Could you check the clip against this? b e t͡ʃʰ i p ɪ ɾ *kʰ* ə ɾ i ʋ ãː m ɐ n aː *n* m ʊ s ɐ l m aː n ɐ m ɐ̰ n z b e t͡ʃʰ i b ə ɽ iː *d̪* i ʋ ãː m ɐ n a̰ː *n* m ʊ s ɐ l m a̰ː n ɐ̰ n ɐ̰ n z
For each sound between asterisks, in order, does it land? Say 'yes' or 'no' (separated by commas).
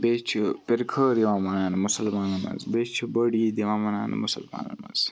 yes, yes, yes, yes